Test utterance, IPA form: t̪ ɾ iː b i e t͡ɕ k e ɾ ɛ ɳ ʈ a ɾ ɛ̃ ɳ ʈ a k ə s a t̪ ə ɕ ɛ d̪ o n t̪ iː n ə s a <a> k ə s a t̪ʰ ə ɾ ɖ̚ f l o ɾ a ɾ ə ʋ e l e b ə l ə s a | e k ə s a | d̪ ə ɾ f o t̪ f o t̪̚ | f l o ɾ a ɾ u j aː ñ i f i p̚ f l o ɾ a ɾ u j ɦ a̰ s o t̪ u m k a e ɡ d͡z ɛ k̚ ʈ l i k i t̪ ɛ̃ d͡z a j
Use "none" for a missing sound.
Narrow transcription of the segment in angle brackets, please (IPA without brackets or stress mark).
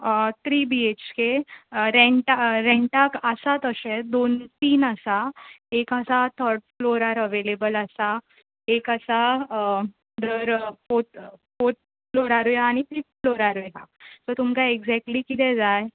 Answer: e